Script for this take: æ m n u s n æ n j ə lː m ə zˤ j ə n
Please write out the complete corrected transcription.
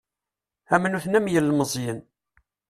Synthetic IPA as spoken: æ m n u θ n æ m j ə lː m ə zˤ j ə n